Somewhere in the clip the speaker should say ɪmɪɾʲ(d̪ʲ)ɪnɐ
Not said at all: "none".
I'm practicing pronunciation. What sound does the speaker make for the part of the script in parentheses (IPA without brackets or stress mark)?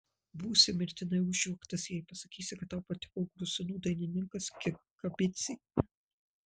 t̪ʲ